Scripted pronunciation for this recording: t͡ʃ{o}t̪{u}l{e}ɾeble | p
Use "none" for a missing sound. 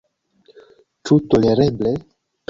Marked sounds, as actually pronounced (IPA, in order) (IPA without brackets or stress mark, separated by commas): u, o, e